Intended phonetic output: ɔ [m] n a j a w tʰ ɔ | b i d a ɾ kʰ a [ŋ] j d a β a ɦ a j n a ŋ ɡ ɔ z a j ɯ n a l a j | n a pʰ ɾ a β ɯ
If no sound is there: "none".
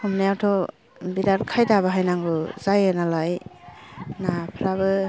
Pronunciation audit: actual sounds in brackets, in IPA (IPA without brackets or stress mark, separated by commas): m, none